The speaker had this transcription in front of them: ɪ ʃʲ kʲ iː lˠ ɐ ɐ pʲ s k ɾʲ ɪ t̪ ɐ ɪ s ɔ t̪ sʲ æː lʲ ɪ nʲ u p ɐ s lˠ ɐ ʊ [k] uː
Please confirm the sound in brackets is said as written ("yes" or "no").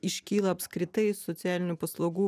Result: no